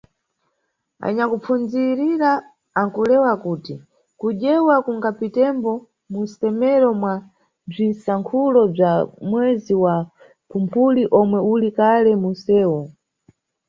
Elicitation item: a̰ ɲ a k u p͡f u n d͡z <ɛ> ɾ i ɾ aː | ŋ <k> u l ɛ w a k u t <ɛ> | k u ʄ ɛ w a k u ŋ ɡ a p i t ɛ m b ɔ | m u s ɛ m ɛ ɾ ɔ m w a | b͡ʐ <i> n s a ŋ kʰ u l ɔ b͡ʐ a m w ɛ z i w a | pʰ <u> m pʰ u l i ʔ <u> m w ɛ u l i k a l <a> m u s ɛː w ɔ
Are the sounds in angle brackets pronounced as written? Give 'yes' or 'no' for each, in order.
no, yes, no, yes, yes, no, no

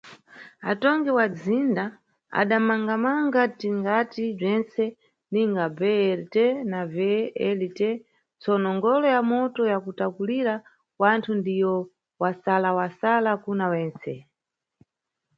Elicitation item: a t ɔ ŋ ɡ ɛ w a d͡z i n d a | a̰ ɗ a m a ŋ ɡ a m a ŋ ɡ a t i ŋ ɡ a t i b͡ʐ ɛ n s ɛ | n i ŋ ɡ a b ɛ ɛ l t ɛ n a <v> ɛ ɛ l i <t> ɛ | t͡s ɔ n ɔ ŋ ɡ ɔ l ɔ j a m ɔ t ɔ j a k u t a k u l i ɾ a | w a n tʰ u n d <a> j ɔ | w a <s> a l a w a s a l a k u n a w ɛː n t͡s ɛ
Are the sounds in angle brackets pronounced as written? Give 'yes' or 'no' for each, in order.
yes, yes, no, yes

